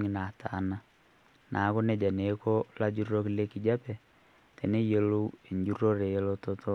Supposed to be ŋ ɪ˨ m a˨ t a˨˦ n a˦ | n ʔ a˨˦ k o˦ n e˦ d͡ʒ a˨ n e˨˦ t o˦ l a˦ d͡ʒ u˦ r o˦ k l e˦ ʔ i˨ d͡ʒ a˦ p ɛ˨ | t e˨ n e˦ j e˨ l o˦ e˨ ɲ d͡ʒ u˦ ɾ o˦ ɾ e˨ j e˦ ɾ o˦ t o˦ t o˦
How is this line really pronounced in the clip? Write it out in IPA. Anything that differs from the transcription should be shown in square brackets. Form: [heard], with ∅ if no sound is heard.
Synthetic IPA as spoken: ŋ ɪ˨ [n] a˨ t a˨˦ n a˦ | n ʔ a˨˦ k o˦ n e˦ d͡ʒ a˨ n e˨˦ [k] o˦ l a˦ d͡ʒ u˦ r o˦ k l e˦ [k] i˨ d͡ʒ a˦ p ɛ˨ | t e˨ n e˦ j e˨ l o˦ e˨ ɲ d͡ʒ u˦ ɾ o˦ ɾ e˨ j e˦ [l] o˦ t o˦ t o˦